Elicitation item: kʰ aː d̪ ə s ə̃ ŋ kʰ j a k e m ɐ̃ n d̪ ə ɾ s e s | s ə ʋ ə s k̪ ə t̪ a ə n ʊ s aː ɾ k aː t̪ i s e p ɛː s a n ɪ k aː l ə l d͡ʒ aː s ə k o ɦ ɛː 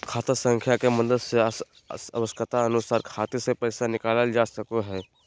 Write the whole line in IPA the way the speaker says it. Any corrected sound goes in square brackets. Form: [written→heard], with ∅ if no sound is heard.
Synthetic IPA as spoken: kʰ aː [d̪→t̪] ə s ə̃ ŋ kʰ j a k e m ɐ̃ n d̪ ə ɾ s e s | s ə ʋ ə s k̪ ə t̪ a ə n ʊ s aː ɾ [k→kʰ] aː t̪ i s e p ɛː s a n ɪ k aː l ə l d͡ʒ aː s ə k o ɦ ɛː